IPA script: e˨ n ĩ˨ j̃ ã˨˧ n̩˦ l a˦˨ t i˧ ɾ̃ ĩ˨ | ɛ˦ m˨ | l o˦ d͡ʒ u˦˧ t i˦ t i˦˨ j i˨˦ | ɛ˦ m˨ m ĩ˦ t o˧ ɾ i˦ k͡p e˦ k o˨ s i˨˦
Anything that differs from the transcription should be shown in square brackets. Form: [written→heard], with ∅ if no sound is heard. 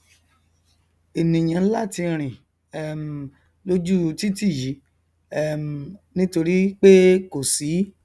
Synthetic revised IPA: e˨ n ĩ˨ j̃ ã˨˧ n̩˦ l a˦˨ t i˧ ɾ̃ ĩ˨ | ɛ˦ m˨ | l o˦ d͡ʒ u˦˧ t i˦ t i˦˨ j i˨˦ | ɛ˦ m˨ [m→n] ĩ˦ t o˧ ɾ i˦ k͡p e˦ k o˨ s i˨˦